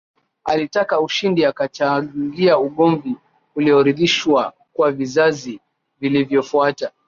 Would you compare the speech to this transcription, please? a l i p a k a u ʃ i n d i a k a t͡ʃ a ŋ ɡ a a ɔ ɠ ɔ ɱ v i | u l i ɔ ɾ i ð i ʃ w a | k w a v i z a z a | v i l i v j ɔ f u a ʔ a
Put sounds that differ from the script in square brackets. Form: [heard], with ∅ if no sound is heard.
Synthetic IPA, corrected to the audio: a l i [t] a k a u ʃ i n d i a k a t͡ʃ a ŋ ɡ [i] a [u] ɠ ɔ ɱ v i | u l i ɔ ɾ i ð i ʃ w a | k w a v i z a z [i] | v i l i v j ɔ f u a [t] a